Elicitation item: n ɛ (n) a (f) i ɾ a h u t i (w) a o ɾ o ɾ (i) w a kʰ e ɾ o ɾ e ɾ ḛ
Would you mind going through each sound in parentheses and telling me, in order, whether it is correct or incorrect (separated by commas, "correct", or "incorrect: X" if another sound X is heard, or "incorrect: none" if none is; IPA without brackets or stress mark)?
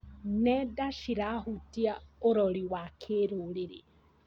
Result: incorrect: d, incorrect: ʃ, incorrect: none, correct